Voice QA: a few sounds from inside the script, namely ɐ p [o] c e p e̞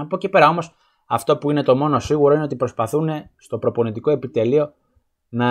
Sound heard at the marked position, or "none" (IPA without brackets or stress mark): o